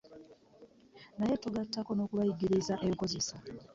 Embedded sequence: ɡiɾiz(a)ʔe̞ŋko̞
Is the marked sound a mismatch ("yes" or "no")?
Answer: no